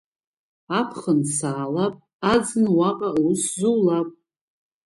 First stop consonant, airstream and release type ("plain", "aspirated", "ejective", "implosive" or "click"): aspirated